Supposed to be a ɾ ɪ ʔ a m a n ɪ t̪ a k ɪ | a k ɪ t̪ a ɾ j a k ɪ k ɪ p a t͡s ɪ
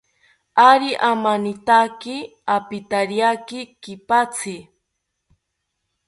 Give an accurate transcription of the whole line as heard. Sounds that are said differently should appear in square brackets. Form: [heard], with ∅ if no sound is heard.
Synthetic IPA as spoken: a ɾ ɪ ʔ a m a n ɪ t̪ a k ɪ | a [p] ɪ t̪ a ɾ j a k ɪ k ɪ p a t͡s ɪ